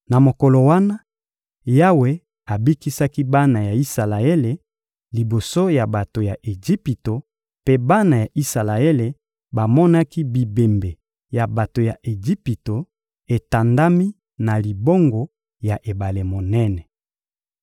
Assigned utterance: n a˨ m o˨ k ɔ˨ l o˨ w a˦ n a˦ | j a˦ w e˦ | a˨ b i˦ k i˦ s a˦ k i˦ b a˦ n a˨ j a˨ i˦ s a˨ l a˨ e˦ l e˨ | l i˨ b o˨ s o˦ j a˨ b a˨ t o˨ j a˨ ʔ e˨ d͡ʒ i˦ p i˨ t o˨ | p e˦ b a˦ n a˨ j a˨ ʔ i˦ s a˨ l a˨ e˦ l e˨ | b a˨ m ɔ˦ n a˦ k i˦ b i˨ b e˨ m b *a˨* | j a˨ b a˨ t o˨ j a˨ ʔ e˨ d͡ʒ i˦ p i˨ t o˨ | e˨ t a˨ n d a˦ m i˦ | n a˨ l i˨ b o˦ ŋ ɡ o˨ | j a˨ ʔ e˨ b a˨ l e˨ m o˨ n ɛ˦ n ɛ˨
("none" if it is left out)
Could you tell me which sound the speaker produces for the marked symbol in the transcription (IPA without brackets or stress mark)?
e˨